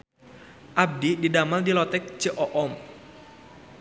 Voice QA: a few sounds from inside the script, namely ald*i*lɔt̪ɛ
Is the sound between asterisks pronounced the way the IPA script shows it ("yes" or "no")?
yes